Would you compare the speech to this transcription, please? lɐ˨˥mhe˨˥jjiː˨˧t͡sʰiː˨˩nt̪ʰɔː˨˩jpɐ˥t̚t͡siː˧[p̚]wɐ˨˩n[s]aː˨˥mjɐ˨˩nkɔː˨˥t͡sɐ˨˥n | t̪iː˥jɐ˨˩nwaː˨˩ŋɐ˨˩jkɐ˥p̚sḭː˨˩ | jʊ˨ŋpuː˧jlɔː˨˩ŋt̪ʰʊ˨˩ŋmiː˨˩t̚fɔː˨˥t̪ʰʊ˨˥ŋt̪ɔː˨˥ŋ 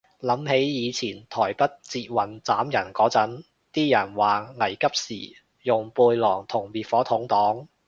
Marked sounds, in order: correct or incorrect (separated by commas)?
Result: incorrect, incorrect